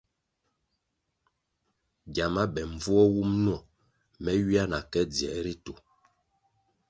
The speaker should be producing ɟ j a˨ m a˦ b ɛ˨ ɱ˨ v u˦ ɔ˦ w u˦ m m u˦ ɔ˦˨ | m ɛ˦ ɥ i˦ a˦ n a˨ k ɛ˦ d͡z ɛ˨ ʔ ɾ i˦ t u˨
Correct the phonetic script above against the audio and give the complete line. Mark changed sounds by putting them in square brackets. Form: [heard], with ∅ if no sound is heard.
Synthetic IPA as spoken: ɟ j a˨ m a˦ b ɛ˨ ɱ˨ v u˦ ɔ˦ w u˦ m [n] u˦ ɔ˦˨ | m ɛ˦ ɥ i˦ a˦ n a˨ k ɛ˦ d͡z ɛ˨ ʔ ɾ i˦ t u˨